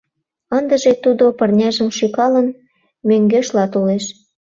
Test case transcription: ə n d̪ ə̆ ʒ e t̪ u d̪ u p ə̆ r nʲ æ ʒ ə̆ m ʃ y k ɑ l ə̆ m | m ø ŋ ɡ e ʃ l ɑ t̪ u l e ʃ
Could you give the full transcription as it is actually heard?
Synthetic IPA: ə n d̪ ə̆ ʒ e t̪ u d̪ o p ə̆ r nʲ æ ʒ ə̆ m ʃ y k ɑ l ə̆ n | m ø ŋ ɡ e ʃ l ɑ t̪ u l e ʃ